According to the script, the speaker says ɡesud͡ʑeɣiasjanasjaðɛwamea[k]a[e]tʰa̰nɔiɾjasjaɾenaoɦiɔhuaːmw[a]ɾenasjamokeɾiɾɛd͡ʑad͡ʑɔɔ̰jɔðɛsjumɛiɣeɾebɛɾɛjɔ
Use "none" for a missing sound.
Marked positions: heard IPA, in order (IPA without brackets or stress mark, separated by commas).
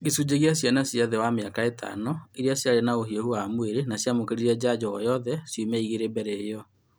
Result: k, e, e